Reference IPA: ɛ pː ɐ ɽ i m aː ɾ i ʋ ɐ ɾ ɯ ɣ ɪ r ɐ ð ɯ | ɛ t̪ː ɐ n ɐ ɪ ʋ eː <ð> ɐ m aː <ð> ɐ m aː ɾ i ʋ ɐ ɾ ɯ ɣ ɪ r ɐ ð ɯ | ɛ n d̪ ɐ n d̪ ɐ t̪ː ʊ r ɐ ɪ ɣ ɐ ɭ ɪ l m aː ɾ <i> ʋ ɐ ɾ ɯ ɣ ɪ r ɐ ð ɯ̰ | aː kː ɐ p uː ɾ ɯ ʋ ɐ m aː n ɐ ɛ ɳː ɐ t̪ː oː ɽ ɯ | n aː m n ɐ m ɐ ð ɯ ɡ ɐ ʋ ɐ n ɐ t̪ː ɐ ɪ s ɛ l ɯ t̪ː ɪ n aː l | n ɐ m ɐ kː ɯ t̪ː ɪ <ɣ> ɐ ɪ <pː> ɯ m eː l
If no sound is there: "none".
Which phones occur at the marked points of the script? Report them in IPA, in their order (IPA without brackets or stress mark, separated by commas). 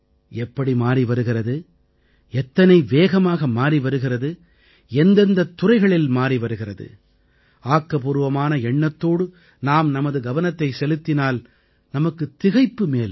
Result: ɣ, ɣ, i, ɣ, pː